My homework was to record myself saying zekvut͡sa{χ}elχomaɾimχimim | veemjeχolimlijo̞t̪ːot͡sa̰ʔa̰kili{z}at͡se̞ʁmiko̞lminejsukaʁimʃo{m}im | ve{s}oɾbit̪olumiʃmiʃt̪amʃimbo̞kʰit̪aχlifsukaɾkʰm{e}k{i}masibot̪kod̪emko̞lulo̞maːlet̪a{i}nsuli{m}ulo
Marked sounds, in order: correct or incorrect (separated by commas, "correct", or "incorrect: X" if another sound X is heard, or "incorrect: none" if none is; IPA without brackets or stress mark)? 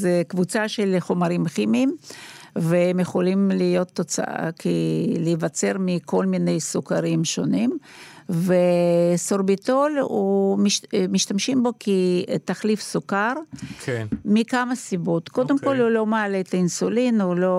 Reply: incorrect: ʃ, incorrect: v, incorrect: n, correct, incorrect: i, incorrect: a, correct, incorrect: n